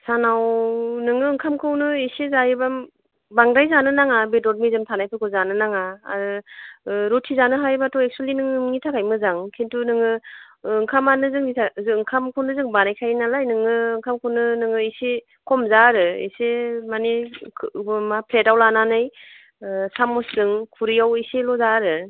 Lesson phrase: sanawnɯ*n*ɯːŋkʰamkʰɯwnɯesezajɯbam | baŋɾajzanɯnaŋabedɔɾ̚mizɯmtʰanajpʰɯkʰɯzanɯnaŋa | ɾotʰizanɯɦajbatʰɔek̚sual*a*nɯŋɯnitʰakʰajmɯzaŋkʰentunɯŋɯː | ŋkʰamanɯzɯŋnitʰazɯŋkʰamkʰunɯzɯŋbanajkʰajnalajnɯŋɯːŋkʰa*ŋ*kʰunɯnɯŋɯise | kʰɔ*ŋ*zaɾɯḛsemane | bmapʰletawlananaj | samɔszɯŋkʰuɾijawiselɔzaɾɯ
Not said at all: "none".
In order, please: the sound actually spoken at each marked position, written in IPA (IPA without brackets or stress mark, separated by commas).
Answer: ŋ, i, m, m